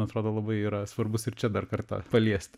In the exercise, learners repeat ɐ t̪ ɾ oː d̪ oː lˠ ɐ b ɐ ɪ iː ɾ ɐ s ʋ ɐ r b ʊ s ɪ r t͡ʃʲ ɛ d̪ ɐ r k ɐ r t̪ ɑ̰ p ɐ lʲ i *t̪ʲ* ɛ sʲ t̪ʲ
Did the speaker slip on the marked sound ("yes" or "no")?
yes